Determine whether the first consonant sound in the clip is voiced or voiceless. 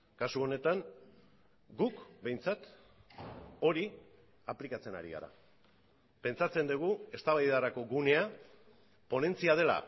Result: voiceless